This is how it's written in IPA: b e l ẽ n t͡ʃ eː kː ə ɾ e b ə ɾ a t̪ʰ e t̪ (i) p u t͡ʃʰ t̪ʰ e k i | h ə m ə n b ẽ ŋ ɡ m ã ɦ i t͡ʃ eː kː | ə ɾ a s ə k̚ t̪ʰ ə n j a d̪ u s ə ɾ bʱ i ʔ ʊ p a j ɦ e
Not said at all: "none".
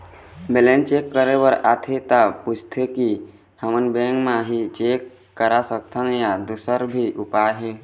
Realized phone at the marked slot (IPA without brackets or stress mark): a